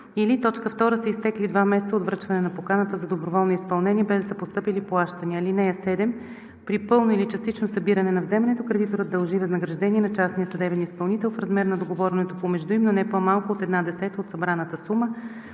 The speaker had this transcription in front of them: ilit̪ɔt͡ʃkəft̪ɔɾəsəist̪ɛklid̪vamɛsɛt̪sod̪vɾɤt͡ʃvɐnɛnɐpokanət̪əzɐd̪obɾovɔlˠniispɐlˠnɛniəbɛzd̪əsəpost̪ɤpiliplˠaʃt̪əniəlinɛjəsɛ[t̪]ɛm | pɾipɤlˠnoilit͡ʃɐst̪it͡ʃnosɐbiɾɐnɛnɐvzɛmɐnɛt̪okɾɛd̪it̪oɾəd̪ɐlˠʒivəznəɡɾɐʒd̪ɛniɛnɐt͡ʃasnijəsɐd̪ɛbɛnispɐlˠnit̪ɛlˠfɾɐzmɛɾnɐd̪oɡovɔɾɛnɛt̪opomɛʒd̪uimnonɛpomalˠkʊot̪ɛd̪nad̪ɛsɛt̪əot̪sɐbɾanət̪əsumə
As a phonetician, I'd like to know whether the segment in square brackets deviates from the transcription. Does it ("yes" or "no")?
yes